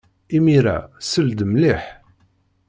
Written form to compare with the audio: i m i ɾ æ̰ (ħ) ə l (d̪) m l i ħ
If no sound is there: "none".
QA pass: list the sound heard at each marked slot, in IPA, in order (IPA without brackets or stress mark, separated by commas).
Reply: s, d̪